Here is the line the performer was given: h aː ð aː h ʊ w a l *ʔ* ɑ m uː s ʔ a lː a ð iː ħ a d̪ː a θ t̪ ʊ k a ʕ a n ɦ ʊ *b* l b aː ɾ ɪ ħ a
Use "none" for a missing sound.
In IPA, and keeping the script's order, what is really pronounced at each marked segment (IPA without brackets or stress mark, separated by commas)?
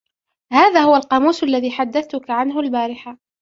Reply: q, none